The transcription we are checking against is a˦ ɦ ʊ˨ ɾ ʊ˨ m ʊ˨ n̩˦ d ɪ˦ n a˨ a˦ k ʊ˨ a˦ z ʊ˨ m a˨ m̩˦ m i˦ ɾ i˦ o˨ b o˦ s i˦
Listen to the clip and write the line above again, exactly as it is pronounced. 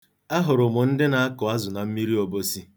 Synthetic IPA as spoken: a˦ ɦ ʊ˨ ɾ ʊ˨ m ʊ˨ n̩˦ d ɪ˦ n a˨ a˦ k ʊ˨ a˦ z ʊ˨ n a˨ m̩˦ m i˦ ɾ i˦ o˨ b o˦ s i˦